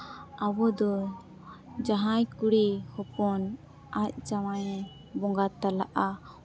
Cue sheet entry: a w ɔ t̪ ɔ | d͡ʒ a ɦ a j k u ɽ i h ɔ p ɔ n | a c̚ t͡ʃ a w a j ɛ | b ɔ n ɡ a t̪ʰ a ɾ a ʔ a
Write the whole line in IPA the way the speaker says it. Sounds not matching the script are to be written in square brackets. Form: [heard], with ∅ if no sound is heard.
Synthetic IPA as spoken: a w ɔ [d̪] ɔ | d͡ʒ a ɦ a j k u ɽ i h ɔ p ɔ n | a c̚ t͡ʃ a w a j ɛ | b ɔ [ŋ] ɡ a [t̪] a [l] a ʔ a